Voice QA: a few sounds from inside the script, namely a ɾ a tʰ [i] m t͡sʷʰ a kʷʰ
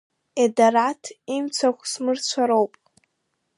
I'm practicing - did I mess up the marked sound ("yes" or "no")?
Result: no